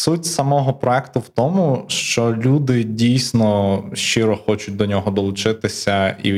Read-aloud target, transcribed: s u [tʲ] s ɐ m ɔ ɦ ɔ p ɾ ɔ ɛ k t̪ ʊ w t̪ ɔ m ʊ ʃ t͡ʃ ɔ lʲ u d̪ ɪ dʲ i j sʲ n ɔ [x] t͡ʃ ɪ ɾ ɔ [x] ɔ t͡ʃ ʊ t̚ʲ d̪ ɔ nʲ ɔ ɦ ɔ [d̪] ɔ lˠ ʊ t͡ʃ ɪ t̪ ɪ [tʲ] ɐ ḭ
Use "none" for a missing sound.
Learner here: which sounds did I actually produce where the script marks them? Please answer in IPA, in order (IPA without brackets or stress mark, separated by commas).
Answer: tʲ, ʃ, x, d̪, sʲ